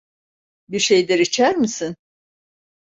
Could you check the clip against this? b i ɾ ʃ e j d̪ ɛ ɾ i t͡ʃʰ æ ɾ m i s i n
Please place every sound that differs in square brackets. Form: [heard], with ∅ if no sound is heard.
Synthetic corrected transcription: b i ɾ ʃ e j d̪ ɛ ɾ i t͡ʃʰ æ ɾ m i s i n

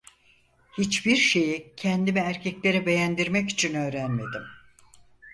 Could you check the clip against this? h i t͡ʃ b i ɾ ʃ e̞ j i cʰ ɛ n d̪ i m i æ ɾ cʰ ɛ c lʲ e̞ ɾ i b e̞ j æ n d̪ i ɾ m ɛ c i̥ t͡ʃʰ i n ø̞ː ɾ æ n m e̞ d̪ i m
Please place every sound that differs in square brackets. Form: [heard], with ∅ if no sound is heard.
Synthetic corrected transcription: h i t͡ʃ b i ɾ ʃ e̞ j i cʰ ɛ n d̪ i m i æ ɾ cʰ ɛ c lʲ e̞ ɾ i b e̞ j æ n d̪ i ɾ m ɛ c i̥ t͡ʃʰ i n ø̞ː ɾ æ n m e̞ d̪ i m

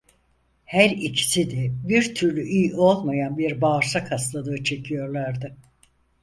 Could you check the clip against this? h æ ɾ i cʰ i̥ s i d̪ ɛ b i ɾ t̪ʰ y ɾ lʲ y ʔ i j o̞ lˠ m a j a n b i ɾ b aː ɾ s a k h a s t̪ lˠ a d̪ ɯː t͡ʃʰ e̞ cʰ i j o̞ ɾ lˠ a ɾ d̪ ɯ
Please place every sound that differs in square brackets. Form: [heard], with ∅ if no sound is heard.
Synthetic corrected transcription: h æ ɾ i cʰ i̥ s i d̪ ɛ b i ɾ t̪ʰ y ɾ lʲ y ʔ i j o̞ lˠ m a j a n b i ɾ b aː ɾ s a k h a s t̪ lˠ a d̪ ɯː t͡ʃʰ e̞ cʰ i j o̞ ɾ lˠ a ɾ d̪ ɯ

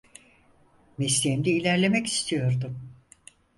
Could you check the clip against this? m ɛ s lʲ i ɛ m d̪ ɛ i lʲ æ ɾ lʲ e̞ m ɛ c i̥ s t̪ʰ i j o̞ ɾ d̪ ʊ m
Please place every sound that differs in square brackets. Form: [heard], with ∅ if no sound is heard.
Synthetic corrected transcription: m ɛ s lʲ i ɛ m d̪ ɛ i lʲ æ ɾ lʲ e̞ m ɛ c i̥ s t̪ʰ i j o̞ ɾ d̪ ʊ m

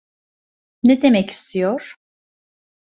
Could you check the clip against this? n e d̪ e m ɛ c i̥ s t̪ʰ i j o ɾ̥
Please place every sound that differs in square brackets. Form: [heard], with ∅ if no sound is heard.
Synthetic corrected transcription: n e d̪ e m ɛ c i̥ s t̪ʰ i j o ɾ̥

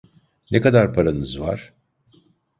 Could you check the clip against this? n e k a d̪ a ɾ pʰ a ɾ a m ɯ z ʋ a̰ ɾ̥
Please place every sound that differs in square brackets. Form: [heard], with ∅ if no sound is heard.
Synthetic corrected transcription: n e k a d̪ a ɾ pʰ a ɾ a [n] ɯ z [v] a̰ ɾ̥

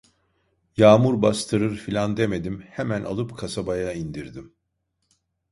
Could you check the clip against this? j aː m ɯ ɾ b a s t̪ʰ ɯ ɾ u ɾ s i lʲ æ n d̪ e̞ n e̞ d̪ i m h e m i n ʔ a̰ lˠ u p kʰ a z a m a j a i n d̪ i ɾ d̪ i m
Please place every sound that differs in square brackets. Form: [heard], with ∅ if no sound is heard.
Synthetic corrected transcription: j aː m [u] ɾ b a s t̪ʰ ɯ ɾ [ɯ] ɾ [f] i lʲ [a] n d̪ e̞ [m] e̞ d̪ i m h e m [æ] n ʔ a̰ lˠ [ɯ] p kʰ a [s] a [b] a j a i n d̪ i ɾ d̪ i m

